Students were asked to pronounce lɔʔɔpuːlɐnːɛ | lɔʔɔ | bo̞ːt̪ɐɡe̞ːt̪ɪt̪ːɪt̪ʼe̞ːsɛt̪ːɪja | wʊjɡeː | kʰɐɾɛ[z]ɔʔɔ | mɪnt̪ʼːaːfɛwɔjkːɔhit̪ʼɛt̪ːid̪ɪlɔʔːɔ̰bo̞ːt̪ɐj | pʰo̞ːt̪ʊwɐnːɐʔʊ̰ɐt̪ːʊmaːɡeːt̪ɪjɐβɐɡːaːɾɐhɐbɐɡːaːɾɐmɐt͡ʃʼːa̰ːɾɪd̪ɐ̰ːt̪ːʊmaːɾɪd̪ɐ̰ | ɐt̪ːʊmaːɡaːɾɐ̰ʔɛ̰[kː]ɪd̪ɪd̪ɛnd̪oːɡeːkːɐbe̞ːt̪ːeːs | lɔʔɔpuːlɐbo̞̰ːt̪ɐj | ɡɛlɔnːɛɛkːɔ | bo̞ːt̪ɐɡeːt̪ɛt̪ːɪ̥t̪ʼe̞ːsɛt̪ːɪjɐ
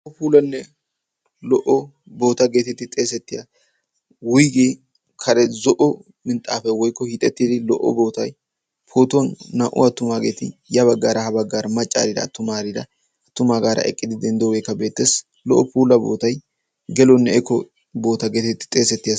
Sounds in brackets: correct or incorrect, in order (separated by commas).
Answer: correct, incorrect